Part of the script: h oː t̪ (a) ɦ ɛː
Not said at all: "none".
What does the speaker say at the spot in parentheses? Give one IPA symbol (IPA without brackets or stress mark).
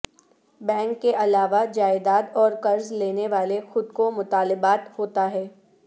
a